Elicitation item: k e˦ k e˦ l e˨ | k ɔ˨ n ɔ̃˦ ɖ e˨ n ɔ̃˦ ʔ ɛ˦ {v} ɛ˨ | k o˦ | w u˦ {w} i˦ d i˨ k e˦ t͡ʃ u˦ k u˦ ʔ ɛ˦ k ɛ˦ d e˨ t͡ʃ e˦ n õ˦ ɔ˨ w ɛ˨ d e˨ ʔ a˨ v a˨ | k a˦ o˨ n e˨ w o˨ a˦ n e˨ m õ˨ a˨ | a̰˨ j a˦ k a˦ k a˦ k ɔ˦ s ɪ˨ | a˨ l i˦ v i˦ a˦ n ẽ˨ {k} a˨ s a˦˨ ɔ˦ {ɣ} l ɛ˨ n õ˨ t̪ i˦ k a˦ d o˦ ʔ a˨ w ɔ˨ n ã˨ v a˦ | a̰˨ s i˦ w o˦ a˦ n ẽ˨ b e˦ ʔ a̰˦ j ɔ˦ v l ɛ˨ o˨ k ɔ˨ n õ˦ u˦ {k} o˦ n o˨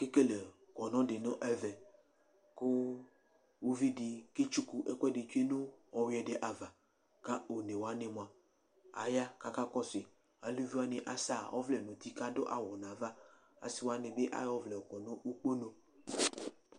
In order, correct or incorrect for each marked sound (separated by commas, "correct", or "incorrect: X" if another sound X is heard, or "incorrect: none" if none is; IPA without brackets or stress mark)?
correct, incorrect: v, incorrect: ʔ, incorrect: v, incorrect: k͡p